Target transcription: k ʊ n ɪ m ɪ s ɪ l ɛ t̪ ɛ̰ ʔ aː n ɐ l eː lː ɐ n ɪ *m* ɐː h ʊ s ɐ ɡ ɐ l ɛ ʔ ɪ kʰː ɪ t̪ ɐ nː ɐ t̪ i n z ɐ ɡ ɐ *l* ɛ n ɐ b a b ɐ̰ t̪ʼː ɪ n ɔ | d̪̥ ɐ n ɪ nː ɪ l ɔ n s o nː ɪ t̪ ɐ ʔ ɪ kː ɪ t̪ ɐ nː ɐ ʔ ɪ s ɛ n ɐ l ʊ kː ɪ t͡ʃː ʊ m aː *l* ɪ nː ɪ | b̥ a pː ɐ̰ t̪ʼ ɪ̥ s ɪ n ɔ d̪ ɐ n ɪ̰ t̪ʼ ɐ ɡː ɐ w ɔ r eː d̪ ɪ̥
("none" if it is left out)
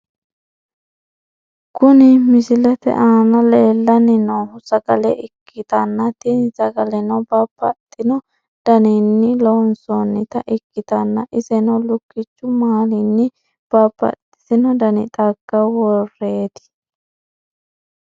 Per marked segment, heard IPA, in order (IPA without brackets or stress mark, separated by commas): n, l, l